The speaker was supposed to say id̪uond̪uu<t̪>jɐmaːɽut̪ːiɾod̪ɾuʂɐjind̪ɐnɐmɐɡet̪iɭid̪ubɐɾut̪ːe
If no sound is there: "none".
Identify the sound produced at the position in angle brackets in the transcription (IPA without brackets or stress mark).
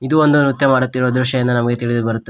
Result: t̪